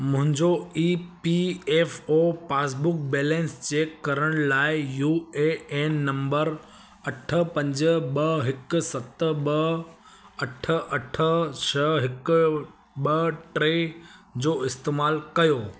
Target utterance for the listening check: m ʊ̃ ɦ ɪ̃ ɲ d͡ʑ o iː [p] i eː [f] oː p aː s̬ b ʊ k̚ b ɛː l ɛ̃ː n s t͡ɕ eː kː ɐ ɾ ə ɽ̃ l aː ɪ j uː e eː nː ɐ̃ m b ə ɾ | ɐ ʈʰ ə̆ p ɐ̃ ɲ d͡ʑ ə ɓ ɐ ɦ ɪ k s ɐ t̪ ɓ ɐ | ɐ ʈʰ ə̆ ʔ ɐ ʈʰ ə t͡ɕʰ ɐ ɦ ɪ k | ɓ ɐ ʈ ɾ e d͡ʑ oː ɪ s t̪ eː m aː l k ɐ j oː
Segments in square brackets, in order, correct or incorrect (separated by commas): correct, correct